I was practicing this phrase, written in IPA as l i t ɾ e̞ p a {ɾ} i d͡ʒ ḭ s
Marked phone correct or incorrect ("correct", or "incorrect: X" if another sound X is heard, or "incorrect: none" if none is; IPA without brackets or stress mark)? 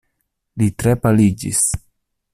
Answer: incorrect: l